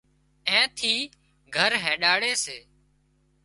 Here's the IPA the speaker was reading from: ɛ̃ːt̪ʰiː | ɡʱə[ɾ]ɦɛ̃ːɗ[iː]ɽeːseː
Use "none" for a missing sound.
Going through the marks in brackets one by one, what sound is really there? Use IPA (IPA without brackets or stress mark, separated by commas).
ɾ, aː